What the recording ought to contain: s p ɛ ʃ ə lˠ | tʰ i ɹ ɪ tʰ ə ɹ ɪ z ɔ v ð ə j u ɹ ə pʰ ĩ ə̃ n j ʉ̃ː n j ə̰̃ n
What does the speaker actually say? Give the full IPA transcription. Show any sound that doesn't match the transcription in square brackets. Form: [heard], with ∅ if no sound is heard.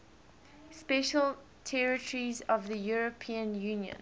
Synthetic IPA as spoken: s p ɛ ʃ ə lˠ | tʰ [ɛ] ɹ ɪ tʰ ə ɹ [i] z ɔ v ð ə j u ɹ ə pʰ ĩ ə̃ n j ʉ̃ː n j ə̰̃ n

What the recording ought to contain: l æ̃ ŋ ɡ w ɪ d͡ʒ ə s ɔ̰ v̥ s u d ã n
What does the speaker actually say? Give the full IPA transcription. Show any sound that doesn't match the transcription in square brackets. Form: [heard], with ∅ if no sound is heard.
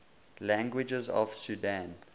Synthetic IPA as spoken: l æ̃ ŋ ɡ w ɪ d͡ʒ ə [z] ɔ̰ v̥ s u d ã n

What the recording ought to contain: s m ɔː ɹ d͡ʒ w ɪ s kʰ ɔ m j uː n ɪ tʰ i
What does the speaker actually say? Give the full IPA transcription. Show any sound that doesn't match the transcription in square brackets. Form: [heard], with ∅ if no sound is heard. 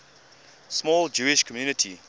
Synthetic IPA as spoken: s m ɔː [l] d͡ʒ [u] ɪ [ʃ] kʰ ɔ m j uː n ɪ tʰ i

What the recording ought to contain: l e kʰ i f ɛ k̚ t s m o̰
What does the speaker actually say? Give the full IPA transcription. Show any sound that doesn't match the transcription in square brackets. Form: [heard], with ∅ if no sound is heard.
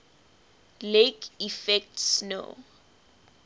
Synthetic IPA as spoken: l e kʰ i f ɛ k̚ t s [n] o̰

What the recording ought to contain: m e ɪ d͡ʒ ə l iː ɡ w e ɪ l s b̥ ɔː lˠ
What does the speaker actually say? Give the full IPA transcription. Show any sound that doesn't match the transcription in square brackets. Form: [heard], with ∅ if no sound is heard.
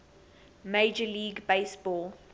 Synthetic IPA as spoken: m e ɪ d͡ʒ ə l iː ɡ [b] e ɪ [∅] s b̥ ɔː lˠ

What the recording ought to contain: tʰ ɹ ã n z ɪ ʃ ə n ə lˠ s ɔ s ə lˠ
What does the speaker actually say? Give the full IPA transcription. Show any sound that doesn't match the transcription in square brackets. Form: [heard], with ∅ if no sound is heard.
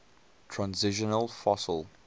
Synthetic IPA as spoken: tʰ ɹ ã n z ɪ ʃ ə n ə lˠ [f] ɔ s ə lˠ

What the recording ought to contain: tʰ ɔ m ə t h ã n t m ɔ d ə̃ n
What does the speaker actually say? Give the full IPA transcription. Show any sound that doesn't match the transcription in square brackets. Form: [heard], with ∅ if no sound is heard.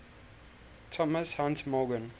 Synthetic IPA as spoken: tʰ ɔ m ə [s] h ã n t m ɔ [ɡ] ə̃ n

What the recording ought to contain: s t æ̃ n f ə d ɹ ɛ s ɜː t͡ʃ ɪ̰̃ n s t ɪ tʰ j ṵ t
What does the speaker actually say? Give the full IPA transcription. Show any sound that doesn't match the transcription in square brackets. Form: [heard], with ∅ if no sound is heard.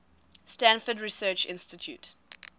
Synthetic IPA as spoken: s t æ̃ n f ə d ɹ [i] s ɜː t͡ʃ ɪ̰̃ n s t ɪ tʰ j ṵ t

